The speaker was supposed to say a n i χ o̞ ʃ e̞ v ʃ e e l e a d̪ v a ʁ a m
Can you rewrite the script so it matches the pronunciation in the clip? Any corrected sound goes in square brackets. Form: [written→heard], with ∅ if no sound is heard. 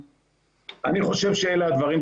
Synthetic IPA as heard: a n i χ o̞ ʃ e̞ v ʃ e e l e a d̪ v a ʁ [a→i] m

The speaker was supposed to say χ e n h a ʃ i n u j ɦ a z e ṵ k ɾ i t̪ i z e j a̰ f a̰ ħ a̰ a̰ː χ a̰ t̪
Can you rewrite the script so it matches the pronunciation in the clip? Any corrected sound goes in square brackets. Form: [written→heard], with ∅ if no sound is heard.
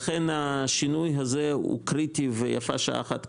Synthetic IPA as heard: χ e n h a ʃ i n u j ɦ a z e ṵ k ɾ i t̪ i [z→v] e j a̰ f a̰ [ħ→ʃ] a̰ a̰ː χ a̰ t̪

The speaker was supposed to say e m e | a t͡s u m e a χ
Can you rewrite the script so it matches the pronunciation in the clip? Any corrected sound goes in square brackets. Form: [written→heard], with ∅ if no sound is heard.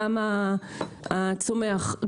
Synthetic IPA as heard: [e→a] m [e→a] | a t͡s [u→o] m e a χ

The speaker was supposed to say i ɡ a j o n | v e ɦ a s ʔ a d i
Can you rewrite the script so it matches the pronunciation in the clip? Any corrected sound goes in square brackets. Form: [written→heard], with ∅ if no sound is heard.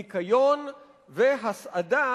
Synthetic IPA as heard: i [ɡ→k] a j o n | v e ɦ a s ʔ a d [i→a]

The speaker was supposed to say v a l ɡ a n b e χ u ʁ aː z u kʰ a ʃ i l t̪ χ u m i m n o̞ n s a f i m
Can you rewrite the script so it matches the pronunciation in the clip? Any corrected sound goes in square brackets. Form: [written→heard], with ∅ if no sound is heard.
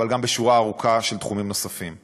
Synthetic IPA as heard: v a l ɡ a [n→m] b e [χ→ʃ] u ʁ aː [z→ʁ] u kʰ a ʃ [i→e] l t̪ χ u m i m n o̞ [n→∅] s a f i m

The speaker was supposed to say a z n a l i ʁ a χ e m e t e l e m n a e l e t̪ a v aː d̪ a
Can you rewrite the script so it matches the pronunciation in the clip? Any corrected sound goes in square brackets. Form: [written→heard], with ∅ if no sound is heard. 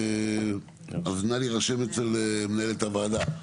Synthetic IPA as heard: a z n a l i ʁ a [χ→ʃ] e m e [t→t͡s] e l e m n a e l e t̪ a v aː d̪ a

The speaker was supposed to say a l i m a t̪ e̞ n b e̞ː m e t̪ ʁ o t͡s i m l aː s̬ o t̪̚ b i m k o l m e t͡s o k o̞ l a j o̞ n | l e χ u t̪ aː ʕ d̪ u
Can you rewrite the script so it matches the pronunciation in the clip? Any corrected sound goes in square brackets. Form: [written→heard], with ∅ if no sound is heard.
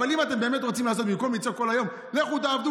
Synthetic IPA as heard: a l i m a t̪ e̞ [n→m] b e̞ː m e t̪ ʁ o t͡s i m l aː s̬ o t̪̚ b i m k o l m [e→i] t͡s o k o̞ l a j o̞ [n→m] | l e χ u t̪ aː [ʕ→v] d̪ u

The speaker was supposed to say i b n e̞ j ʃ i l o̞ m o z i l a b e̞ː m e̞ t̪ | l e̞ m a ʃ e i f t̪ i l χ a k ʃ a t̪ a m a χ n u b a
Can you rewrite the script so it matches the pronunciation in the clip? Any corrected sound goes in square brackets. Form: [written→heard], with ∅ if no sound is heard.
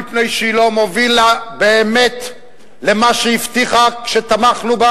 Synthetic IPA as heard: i [b→p] n e̞ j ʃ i l o̞ m o [z→v] i l a b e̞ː m e̞ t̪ | l e̞ m a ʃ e i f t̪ i [l→∅] χ a k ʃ [a→e] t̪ a m a χ n u b a

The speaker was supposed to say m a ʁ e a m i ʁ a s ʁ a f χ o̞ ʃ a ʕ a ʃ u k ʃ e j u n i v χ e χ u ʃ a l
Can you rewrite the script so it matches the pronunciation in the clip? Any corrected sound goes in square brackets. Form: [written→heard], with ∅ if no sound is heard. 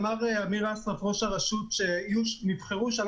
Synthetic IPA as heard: m a ʁ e a m i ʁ a s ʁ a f [χ→ʁ] o̞ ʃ a [ʕ→ʁ] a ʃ u [k→t] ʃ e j u n i v χ e [χ→ʁ] u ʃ a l

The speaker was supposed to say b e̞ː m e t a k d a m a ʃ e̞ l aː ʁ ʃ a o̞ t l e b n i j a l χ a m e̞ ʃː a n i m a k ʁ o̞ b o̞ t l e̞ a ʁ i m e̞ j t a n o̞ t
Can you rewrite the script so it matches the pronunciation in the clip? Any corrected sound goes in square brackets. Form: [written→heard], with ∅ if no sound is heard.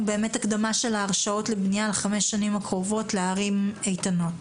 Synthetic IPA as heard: b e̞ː m e t a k d a m a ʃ e̞ l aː ʁ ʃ a o̞ t l e b n i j a l χ a m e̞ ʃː a n i m a k ʁ o̞ [b→v] o̞ t l e̞ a ʁ i m e̞ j t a n o̞ t

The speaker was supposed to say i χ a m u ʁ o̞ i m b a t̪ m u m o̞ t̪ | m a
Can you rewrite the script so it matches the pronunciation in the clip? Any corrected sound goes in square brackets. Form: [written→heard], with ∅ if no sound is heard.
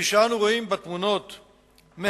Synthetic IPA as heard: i [χ→ʃ] a [m→n] u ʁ o̞ i m b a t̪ m u [m→n] o̞ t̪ | m [a→e]

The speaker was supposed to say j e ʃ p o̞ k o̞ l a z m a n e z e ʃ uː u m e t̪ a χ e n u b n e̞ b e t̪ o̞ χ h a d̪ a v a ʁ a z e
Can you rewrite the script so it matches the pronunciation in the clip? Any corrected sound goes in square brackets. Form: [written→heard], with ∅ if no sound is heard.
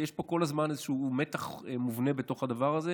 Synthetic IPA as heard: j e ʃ p o̞ k o̞ l a z m a n e z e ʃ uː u m e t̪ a χ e [n→m] u [b→v] n e̞ b e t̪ o̞ χ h a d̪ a v a ʁ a z e

